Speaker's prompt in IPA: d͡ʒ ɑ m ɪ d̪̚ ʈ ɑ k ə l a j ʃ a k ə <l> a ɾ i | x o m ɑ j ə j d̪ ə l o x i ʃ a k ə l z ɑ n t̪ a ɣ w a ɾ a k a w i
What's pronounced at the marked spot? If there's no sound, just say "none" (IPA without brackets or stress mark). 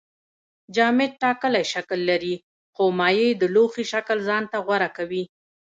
lː